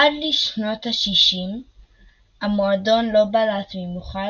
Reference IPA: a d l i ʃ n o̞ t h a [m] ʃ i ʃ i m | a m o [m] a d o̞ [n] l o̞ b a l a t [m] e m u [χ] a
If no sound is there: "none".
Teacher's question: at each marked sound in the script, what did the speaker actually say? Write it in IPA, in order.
none, none, n, m, χ

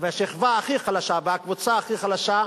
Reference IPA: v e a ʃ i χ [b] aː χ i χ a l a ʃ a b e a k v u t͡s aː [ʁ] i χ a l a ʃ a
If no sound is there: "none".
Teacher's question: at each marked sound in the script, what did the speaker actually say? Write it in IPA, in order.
v, χ

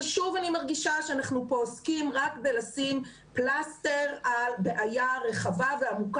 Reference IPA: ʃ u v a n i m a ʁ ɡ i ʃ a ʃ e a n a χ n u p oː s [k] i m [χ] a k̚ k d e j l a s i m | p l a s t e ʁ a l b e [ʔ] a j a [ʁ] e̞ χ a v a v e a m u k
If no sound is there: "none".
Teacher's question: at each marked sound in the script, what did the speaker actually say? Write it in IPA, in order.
k, ʁ, ʔ, ʁ

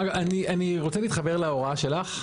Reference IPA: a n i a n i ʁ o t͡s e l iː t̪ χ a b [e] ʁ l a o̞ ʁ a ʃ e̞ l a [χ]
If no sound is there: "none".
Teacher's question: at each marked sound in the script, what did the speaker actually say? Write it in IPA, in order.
e, χ

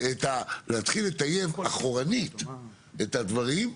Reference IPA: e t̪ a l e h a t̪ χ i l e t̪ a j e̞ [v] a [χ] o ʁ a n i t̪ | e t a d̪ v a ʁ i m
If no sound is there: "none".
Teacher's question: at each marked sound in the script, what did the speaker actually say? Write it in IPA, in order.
v, χ

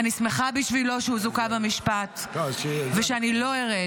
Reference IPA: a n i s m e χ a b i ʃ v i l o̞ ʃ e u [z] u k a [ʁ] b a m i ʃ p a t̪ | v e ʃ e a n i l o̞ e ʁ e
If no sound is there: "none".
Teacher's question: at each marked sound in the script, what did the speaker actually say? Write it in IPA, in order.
z, none

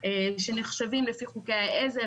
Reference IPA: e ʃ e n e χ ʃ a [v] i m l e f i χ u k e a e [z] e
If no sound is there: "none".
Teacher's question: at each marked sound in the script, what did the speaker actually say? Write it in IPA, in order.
v, z

